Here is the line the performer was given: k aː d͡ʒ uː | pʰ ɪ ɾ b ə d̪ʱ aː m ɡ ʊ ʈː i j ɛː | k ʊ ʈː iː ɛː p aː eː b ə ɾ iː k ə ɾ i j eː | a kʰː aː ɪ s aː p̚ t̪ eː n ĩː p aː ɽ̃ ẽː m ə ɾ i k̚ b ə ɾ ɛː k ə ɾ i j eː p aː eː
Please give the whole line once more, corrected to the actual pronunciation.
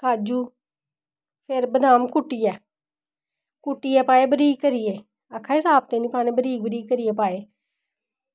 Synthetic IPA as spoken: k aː d͡ʒ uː | pʰ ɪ ɾ b ə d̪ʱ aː m k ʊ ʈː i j ɛː | k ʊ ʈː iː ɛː p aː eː b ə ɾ iː k ə ɾ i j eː | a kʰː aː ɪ s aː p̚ t̪ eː n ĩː p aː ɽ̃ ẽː b ə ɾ iː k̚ b ə ɾ iː k ə ɾ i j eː p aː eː